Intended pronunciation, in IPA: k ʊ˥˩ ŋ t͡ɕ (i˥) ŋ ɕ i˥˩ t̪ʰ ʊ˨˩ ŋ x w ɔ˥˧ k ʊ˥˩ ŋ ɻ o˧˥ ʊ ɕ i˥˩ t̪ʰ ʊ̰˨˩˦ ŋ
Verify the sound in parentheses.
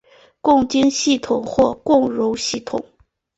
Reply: correct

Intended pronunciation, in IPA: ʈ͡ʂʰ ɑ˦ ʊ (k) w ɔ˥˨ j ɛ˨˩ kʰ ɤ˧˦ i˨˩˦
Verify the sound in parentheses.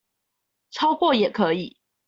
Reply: correct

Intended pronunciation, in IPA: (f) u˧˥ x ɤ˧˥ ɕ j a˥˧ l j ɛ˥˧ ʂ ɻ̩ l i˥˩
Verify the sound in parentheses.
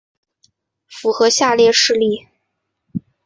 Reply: correct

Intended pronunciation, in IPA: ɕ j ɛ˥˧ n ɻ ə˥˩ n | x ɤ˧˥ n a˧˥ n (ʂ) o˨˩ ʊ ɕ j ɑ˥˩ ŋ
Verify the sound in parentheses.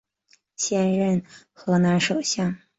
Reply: correct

